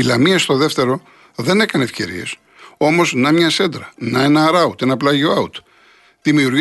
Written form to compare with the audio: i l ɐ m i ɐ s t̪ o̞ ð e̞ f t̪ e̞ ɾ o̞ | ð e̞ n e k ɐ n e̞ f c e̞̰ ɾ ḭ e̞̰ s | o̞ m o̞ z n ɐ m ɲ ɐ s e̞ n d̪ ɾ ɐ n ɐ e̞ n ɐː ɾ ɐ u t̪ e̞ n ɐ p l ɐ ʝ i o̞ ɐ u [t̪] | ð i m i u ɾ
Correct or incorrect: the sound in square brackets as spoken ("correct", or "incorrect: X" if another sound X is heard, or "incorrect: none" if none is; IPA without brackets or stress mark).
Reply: correct